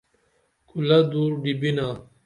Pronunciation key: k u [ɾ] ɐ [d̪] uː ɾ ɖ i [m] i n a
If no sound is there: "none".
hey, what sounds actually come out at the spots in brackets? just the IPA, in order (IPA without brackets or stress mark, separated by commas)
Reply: l, d̪, b